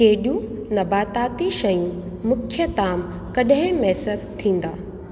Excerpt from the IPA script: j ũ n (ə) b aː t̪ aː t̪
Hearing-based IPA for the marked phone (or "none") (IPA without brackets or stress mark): ɐ